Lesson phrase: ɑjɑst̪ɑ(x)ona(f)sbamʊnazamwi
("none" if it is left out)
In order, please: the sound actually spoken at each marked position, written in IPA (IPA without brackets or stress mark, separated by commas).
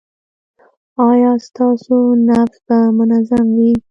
s, f